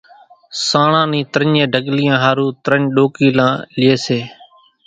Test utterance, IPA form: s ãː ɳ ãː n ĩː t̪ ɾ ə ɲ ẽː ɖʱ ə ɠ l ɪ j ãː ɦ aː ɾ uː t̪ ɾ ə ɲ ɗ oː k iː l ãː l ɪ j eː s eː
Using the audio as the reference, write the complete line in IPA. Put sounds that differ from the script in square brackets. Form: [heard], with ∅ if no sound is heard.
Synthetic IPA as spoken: s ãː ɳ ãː n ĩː t̪ ɾ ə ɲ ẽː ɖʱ ə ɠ l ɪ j ãː ɦ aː ɾ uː t̪ ɾ ə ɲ ɗ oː k iː l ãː l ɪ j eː s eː

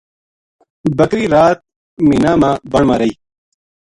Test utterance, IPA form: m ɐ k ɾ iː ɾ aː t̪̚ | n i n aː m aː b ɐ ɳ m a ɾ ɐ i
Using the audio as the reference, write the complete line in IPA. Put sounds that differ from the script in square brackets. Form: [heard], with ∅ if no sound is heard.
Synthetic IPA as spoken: [b] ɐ k ɾ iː ɾ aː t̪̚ | [m] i n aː m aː b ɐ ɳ m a ɾ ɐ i

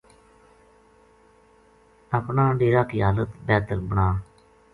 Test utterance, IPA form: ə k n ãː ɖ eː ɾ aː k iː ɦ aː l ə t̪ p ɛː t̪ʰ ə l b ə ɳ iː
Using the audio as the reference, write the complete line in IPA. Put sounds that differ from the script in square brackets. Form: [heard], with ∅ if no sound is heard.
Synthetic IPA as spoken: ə [p] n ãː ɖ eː ɾ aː k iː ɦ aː l ə t̪ [b] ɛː [t̪] ə l b ə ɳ [aː]

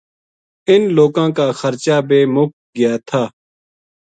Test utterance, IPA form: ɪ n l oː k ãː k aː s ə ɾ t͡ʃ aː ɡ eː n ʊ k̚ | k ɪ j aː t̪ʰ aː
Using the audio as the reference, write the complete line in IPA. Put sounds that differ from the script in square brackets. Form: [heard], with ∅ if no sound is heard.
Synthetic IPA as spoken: ɪ n l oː k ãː k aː [x] ə ɾ t͡ʃ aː [b] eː [m] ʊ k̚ | [ɡ] ɪ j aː t̪ʰ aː

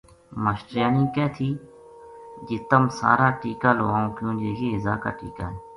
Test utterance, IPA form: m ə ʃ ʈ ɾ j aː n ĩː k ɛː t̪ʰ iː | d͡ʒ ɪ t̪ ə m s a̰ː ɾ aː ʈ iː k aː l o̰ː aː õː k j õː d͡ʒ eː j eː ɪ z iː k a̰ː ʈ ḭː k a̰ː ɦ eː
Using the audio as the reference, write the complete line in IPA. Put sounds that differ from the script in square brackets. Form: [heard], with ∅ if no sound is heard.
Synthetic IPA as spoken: m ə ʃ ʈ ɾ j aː n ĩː k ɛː t̪ʰ iː | d͡ʒ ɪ t̪ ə m s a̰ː ɾ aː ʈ iː k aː l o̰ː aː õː k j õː d͡ʒ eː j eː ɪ z [aː] k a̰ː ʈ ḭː k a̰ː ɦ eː

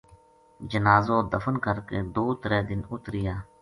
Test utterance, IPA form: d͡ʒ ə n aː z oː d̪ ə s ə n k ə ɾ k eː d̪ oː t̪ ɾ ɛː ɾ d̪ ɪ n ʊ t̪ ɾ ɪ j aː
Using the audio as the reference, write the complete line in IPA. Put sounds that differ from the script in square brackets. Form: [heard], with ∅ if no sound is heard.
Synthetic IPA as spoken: d͡ʒ ə n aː z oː d̪ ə [f] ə n k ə ɾ k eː d̪ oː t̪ ɾ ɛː [∅] d̪ ɪ n ʊ t̪ ɾ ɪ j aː

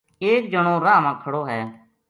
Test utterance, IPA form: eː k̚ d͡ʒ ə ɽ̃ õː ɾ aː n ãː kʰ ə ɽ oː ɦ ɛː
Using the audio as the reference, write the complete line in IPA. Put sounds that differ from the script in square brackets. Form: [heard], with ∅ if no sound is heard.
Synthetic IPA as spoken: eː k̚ d͡ʒ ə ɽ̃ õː ɾ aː [m] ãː kʰ ə ɽ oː ɦ ɛː

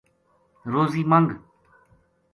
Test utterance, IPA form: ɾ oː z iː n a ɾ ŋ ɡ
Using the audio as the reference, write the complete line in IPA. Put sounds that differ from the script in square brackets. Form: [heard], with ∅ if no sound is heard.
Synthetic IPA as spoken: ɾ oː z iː [m] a [∅] ŋ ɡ

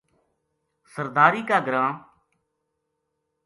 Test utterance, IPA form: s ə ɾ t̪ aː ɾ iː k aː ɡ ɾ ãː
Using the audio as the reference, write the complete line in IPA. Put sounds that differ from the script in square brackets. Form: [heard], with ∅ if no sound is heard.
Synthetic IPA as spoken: s ə ɾ [d̪] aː ɾ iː k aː ɡ ɾ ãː

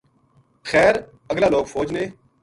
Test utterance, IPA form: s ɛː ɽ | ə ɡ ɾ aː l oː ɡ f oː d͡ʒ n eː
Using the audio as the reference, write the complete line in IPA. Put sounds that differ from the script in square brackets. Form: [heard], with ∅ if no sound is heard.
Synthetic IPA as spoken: [x] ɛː [ɾ] | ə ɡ [l] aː l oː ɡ f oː d͡ʒ n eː

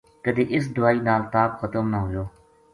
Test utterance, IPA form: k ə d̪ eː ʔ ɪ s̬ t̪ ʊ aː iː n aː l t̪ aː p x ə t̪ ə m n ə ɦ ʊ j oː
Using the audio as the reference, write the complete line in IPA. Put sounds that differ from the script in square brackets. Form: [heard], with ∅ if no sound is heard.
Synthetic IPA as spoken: k ə d̪ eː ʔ ɪ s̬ [d̪] ʊ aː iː n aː l t̪ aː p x ə t̪ ə m n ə ɦ ʊ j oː

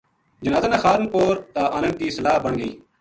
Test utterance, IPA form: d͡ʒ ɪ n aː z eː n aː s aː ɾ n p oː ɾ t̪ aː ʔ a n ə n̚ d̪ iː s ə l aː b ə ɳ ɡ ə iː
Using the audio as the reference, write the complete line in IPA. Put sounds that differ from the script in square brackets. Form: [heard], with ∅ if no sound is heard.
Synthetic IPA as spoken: d͡ʒ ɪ n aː z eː n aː [x] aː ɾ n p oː ɾ t̪ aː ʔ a n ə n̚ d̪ iː s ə l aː b ə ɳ ɡ ə iː

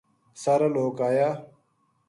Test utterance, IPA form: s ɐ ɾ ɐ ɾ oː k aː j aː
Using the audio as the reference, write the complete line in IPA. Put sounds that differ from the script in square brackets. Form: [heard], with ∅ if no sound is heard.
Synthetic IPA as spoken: s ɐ ɾ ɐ [l] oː k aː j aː

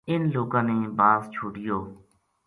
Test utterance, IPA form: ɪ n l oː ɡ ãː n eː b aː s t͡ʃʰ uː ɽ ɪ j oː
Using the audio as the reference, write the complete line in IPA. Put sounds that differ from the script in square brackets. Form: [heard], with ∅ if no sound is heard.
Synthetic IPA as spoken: ɪ n l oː ɡ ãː n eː b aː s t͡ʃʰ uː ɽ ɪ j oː

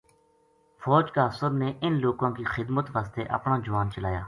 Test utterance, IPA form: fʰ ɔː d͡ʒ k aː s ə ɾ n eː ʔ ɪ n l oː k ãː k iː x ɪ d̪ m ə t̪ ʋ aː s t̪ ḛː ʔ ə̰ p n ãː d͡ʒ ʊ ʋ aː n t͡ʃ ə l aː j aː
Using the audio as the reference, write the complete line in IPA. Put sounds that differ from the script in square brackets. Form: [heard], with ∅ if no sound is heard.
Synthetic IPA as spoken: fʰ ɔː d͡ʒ k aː s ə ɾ n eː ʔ ɪ n l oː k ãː k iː x ɪ d̪ m ə t̪ ʋ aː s t̪ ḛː ʔ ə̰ p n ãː d͡ʒ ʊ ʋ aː n t͡ʃ ə l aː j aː

